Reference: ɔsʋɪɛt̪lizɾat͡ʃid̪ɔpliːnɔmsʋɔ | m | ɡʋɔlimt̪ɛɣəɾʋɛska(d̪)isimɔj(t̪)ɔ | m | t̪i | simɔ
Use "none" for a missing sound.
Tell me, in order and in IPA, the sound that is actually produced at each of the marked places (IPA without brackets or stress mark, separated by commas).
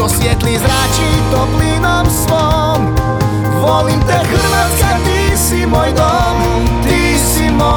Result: t̪, d̪